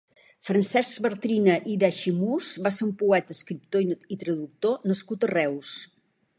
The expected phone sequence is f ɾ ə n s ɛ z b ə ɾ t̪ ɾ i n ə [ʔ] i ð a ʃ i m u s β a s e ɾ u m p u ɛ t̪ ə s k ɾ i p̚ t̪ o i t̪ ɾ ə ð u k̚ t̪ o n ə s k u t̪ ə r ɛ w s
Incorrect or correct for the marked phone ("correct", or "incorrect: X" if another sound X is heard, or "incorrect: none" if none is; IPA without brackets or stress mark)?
correct